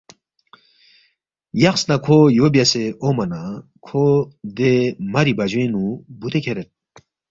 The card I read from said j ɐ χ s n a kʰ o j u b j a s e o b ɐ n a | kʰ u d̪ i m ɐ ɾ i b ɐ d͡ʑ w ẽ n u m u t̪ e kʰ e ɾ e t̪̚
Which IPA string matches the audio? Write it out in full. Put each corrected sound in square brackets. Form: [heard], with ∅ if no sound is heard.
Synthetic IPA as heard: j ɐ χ s n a kʰ o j [o] b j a s e o [m] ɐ n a | kʰ [o] d̪ [e] m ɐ ɾ i b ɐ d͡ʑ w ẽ n u [b] u t̪ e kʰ e ɾ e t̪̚